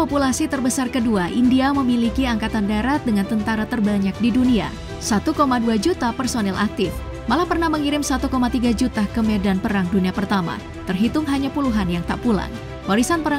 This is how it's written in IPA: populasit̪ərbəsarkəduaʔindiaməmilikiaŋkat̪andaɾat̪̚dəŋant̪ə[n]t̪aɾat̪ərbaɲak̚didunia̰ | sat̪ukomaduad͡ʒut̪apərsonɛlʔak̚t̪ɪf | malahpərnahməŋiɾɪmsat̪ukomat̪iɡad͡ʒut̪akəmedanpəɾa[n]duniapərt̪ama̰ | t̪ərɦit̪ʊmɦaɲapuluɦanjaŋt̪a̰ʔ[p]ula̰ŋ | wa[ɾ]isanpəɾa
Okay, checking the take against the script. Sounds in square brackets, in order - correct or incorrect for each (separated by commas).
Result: correct, incorrect, correct, correct